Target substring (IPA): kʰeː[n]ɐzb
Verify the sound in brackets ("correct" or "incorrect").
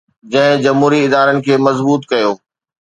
incorrect